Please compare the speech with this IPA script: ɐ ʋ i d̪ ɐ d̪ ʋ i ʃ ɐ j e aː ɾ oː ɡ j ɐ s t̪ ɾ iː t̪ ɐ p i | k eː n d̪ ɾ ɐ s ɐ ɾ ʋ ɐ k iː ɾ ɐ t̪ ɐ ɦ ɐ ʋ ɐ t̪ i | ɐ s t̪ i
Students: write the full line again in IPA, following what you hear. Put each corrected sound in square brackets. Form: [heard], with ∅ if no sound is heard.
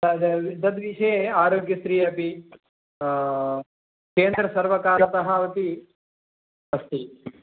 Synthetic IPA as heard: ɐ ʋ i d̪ ɐ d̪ ʋ i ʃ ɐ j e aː ɾ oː ɡ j ɐ s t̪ ɾ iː [∅] ɐ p i | k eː n d̪ ɾ ɐ s ɐ ɾ ʋ ɐ k [aː] ɾ ɐ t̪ ɐ ɦ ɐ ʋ ɐ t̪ i | ɐ s t̪ i